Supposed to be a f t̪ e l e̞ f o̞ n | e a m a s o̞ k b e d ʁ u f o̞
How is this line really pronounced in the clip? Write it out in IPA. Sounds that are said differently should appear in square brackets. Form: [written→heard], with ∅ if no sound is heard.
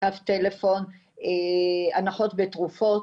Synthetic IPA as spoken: a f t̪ e l e̞ f o̞ n | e a [m→n] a [s→χ] o̞ [k→t] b e [d→t] ʁ u f o̞